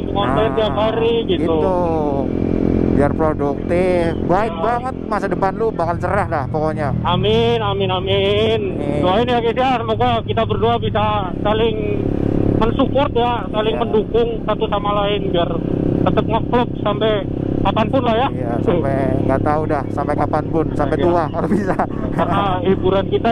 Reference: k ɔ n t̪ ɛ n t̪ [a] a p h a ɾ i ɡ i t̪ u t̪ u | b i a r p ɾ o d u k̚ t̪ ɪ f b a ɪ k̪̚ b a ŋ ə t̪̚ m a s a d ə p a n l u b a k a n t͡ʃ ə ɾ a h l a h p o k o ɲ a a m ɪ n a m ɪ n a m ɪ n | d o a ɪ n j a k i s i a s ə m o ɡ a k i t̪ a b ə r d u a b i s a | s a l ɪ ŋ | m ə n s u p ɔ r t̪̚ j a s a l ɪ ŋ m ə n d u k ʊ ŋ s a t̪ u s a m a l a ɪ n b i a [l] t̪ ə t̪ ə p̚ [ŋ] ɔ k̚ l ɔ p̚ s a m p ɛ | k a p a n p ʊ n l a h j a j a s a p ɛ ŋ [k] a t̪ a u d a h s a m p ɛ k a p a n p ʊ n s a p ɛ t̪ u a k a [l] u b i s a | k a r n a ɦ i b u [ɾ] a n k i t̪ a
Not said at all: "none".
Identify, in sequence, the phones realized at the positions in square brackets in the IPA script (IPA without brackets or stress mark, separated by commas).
i, r, ŋ, ɡ, l, ɾ